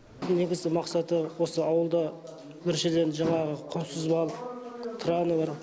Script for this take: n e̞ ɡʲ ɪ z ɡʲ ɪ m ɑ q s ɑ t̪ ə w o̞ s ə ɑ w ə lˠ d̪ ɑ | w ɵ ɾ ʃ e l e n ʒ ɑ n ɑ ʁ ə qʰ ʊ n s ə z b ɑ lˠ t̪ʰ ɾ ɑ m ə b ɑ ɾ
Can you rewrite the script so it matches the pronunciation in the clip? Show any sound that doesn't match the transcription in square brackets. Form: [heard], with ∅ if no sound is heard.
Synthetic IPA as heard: n e̞ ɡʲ ɪ z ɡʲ ɪ m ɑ q s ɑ t̪ ə w o̞ s ə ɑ w ə lˠ d̪ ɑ | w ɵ ɾ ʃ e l e n ʒ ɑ [ɴ] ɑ ʁ ə qʰ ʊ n s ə z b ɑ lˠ t̪ʰ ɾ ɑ [n] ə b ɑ ɾ